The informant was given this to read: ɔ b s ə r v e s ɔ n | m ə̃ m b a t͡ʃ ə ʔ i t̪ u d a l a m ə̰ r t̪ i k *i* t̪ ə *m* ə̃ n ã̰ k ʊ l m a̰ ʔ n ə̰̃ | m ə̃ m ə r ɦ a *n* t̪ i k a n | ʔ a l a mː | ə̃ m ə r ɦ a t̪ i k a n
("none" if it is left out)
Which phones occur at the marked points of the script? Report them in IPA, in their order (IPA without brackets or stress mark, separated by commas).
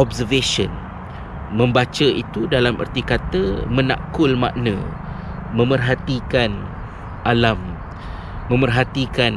a, m, none